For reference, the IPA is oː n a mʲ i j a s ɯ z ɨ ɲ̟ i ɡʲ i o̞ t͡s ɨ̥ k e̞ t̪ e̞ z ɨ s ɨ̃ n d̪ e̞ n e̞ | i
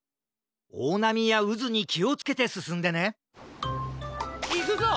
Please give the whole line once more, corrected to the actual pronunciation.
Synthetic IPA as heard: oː n a mʲ i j a ɯ z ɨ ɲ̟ i kʲ i o̞ t͡s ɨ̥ k e̞ t̪ e̞ s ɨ s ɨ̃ n d̪ e̞ n e̞ | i